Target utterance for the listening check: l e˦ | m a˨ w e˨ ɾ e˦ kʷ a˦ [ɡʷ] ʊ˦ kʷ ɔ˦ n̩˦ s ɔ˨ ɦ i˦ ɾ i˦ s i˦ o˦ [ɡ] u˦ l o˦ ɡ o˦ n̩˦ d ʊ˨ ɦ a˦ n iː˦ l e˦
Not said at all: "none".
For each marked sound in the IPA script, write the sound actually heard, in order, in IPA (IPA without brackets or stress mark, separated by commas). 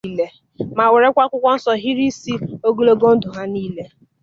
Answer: kʷ, ɡ